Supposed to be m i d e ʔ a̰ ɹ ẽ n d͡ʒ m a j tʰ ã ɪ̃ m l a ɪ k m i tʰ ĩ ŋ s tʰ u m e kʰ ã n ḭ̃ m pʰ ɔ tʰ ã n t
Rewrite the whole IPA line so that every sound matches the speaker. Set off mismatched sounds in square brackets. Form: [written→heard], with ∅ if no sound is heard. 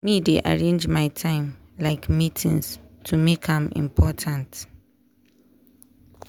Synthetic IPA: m i d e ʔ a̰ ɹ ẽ n d͡ʒ m a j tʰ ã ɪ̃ m l a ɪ k m i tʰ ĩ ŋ s tʰ u m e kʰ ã [n→m] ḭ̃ m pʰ ɔ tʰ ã n t